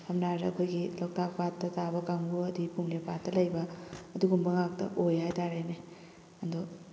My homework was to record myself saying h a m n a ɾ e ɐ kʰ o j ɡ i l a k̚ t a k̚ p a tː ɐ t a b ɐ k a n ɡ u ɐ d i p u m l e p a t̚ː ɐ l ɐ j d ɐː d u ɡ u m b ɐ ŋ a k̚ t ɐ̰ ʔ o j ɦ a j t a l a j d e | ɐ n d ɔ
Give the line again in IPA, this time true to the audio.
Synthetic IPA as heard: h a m n a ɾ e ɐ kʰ o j ɡ i l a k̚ t a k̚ p a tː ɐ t a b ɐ k a ŋ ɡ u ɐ d i p u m l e p a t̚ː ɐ l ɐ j b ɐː d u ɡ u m b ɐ ŋ a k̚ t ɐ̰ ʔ o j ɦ a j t a ɾ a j n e | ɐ n d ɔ